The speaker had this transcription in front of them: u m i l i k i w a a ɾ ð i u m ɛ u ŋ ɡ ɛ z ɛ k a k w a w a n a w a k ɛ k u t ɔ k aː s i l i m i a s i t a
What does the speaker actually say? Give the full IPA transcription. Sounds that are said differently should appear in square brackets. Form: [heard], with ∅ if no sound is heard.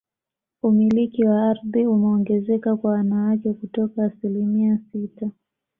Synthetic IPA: u m i l i k i w a a ɾ ð i u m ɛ [ɔ] ŋ ɡ ɛ z ɛ k a k w a w a n a w a k ɛ k u t ɔ k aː s i l i m i a s i t a